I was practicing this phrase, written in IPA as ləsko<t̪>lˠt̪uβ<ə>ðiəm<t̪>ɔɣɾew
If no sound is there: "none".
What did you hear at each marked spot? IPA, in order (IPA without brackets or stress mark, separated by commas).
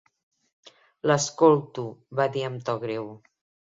none, a, t̪